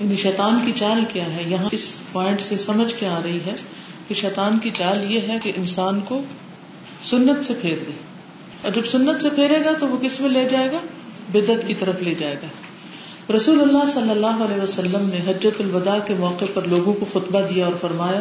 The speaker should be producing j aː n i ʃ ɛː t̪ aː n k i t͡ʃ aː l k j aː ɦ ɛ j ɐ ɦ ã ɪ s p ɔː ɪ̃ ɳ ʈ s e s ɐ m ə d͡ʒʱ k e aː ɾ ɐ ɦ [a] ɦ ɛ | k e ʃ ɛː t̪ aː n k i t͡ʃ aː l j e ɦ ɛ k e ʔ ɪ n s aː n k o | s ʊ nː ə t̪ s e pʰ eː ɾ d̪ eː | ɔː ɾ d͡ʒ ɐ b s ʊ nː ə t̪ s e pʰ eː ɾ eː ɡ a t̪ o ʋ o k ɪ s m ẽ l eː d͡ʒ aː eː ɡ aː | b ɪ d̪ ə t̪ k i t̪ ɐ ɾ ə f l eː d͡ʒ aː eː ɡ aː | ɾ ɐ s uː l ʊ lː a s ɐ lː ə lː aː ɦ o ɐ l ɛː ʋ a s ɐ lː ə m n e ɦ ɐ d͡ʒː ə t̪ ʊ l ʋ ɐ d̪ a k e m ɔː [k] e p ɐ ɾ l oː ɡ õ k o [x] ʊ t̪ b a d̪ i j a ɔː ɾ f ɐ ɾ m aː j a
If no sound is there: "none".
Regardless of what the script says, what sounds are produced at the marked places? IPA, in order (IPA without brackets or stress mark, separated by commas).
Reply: i, q, x